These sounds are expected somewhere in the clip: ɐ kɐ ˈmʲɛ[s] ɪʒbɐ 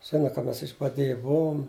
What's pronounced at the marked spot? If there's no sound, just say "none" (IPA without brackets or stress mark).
s